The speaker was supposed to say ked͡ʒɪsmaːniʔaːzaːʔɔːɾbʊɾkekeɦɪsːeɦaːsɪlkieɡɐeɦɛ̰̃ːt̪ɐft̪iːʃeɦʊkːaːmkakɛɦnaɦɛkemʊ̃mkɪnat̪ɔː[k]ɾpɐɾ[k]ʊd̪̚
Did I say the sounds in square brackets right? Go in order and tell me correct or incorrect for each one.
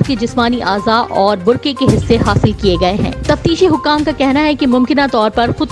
incorrect, incorrect

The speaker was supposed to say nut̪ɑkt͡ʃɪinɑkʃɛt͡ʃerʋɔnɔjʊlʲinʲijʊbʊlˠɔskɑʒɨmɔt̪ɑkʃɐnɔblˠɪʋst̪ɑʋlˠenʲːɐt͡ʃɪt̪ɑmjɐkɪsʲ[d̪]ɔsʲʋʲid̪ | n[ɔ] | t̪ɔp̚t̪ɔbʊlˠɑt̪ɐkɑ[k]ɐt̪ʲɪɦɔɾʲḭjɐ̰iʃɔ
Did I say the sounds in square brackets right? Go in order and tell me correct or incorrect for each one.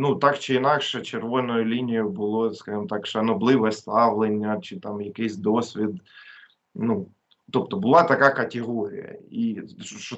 correct, incorrect, correct

